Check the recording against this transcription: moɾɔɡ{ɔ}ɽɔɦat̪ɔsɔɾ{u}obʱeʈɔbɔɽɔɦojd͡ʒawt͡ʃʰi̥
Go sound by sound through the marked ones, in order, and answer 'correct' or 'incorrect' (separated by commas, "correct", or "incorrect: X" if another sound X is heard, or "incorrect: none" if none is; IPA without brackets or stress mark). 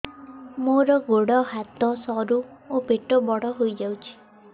incorrect: o, correct